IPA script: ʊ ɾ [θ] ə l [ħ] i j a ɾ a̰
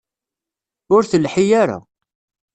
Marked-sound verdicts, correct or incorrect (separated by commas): correct, correct